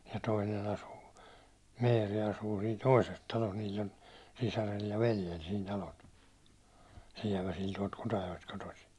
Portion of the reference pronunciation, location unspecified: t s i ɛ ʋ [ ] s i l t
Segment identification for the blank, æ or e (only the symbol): æ